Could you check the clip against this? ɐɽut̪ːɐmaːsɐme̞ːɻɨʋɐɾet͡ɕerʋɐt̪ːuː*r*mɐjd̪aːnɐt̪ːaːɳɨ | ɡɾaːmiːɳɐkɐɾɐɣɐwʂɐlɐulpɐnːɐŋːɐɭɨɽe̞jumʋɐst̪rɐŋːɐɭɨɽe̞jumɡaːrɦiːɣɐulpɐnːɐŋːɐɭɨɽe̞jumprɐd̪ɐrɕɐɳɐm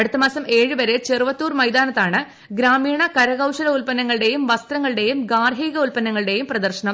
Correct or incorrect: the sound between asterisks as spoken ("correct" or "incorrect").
correct